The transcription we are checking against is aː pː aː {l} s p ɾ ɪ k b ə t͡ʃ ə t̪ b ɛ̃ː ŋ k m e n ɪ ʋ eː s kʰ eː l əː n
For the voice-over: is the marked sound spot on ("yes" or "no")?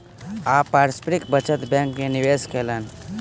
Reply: no